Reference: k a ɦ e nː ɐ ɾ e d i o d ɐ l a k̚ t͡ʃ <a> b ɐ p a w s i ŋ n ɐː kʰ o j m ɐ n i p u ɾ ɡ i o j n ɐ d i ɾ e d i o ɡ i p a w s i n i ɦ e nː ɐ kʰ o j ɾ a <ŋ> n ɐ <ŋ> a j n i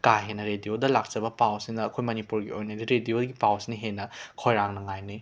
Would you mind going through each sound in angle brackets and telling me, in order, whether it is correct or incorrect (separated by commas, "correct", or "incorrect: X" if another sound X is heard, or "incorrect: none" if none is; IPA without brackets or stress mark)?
incorrect: ɐ, correct, correct